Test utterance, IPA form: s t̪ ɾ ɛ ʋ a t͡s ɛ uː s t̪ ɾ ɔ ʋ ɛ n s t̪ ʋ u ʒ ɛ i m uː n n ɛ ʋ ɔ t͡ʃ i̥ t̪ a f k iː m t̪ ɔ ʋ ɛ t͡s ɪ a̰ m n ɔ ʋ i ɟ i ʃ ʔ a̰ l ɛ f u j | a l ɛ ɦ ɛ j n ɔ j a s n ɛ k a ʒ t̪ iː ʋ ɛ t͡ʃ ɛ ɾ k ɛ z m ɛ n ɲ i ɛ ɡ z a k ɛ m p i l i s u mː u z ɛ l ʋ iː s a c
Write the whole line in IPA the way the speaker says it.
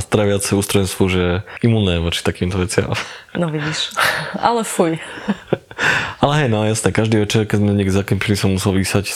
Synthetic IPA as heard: s t̪ ɾ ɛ ʋ a t͡s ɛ uː s t̪ ɾ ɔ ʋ ɛ n s t̪ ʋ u ʒ ɛ i m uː n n ɛ ʋ ɔ t͡ʃ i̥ t̪ a k iː m t̪ ɔ ʋ ɛ t͡s ɪ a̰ m n ɔ ʋ i ɟ i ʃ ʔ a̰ l ɛ f u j | a l ɛ ɦ ɛ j n ɔ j a s n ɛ k a ʒ d̪ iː ʋ ɛ t͡ʃ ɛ ɾ k ɛ z m ɛ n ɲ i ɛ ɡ z a k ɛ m p i l i s ɔ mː u s ɛ l ʋ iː s a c